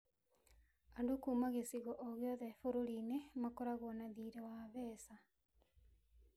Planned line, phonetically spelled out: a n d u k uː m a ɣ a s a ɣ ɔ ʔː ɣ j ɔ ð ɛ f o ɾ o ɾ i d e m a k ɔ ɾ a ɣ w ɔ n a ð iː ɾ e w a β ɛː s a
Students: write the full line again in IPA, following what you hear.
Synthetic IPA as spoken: a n d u k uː m a ɣ e s i ɣ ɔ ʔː ɣ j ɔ ð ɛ f o ɾ o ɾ i n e m a k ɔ ɾ a ɣ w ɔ n a ð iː ɾ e w a β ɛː s a